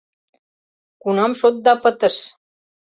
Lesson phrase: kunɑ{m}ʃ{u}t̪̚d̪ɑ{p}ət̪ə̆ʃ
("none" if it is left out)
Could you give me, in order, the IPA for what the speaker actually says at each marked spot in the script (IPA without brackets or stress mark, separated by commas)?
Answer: m, o, p